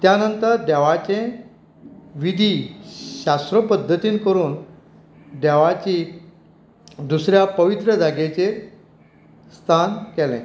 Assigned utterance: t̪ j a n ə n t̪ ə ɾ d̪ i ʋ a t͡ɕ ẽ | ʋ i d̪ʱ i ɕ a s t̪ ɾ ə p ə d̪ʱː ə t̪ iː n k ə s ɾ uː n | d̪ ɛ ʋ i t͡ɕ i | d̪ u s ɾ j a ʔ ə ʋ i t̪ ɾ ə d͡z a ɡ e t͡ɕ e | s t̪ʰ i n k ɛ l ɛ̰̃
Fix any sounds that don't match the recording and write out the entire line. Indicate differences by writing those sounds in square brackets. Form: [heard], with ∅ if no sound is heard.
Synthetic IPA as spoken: t̪ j a n ə n t̪ ə ɾ d̪ [ɛ] ʋ a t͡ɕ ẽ | ʋ i d̪ʱ i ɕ a s t̪ ɾ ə p ə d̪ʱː ə t̪ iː n k ə [∅] ɾ uː n | d̪ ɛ ʋ [a] t͡ɕ i | d̪ u s ɾ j a [p] ə ʋ i t̪ ɾ ə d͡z a ɡ e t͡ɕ e | s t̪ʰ [a] n k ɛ l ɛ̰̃